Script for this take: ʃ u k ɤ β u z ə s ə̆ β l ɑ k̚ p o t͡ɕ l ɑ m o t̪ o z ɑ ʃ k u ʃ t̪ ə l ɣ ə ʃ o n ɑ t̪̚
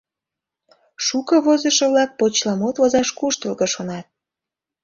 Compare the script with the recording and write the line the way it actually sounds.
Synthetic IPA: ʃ u k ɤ β o z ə ʃ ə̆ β l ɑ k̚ p o t͡ɕ l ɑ m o t̪ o z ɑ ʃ k u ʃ t̪ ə l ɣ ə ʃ o n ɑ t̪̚